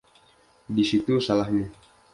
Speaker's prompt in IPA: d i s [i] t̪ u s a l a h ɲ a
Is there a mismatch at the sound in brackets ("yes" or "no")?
no